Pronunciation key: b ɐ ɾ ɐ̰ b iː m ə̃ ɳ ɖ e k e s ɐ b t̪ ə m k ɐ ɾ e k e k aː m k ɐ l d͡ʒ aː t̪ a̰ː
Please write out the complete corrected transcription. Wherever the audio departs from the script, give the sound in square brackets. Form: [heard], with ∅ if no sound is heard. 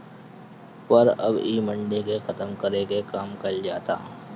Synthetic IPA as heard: [p] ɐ ɾ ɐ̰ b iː m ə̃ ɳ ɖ e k e [x] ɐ [∅] t̪ ə m k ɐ ɾ e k e k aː m k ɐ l d͡ʒ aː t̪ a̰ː